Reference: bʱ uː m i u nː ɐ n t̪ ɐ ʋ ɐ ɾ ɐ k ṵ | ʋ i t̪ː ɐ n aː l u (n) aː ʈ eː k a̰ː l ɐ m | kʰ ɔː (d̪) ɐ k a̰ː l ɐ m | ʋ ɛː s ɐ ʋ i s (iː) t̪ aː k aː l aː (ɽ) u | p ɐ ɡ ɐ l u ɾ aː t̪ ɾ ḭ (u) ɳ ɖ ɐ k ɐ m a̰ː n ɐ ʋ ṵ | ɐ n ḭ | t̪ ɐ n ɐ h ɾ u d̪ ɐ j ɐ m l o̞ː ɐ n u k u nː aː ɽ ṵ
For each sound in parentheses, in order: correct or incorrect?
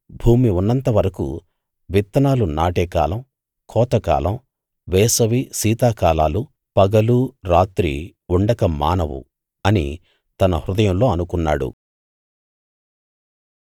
correct, incorrect, correct, incorrect, correct

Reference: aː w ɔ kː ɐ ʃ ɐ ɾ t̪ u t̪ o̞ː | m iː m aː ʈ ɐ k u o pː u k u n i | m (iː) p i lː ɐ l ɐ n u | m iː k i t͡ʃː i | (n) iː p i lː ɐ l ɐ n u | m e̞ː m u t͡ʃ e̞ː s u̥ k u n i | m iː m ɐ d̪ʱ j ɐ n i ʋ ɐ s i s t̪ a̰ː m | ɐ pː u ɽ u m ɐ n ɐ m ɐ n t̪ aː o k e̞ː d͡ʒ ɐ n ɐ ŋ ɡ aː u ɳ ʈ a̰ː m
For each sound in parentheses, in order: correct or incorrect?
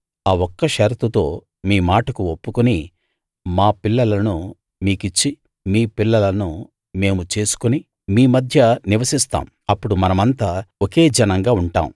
incorrect, incorrect

